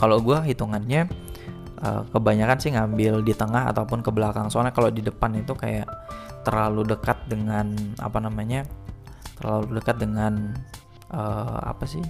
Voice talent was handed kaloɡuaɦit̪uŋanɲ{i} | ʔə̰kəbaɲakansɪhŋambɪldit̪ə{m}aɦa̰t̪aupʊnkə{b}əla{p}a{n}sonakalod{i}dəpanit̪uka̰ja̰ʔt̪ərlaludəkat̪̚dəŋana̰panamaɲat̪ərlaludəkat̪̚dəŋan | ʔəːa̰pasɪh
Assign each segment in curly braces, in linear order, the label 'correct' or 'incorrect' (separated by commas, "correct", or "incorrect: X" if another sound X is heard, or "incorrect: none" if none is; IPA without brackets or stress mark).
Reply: incorrect: a, incorrect: ŋ, correct, incorrect: k, incorrect: ŋ, correct